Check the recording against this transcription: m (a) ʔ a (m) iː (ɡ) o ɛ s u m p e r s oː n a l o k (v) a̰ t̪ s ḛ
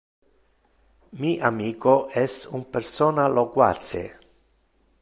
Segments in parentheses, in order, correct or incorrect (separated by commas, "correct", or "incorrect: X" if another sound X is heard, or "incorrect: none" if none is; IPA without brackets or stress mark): incorrect: i, correct, incorrect: k, incorrect: w